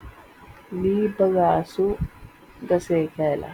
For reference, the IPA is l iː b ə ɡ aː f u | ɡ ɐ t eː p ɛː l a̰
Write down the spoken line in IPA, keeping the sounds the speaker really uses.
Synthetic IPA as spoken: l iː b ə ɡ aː s u | ɡ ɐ s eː k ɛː l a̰